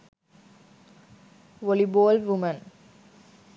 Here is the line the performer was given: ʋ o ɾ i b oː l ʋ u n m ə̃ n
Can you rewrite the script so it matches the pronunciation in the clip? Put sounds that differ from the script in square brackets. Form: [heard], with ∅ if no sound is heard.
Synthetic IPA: ʋ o [l] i b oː l ʋ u [∅] m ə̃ n